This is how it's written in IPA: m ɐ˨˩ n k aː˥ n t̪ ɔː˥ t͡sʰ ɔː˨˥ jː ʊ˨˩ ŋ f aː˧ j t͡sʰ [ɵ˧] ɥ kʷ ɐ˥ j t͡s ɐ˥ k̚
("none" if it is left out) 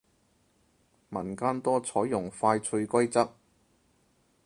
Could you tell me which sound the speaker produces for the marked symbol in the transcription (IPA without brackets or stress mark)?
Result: ɵ˧